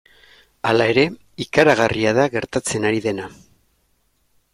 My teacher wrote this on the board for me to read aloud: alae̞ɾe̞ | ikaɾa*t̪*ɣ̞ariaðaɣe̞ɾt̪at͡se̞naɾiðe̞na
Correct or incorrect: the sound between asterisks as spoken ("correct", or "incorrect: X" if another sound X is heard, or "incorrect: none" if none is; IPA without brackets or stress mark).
incorrect: none